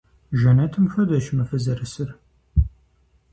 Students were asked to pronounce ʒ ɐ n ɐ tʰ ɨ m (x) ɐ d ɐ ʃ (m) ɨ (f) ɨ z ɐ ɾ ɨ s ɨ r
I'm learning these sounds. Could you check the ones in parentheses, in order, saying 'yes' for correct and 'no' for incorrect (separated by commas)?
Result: yes, yes, yes